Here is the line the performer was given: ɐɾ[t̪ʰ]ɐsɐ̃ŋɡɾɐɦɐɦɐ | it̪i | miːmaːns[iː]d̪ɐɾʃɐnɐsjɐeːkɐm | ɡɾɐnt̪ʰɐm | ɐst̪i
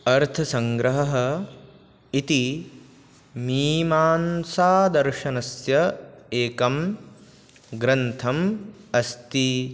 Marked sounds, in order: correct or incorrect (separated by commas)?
correct, incorrect